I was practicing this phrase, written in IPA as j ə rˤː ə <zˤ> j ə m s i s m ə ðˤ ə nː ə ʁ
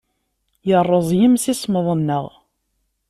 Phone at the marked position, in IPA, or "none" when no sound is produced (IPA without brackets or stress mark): zˤ